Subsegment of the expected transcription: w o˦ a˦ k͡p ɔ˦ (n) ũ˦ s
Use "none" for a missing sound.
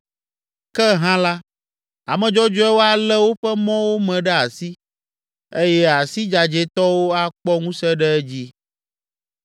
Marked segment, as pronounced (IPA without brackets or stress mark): ŋ